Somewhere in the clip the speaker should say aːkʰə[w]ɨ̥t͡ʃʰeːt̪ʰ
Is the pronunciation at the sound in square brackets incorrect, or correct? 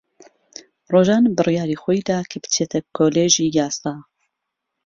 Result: incorrect